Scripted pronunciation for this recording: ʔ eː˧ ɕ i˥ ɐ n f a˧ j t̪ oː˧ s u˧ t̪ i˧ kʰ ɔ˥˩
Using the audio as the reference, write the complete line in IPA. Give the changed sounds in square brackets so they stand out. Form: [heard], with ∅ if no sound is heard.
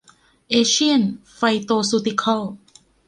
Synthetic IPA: ʔ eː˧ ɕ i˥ [ə] n f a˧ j t̪ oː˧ s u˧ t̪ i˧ kʰ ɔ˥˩